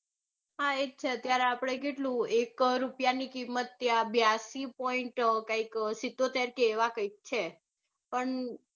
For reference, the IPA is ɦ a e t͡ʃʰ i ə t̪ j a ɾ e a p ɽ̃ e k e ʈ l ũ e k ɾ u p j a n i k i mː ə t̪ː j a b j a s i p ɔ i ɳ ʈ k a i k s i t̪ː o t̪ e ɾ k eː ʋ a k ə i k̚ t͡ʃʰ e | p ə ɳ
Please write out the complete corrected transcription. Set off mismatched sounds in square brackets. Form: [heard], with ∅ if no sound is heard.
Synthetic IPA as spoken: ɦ a e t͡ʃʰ [e] ə t̪ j a ɾ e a p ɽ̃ e k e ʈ l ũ e k ɾ u p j a n i k i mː ə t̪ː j a b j a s i p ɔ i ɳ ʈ k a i k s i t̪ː o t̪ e ɾ k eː ʋ a k ə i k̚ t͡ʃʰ e | p ə ɳ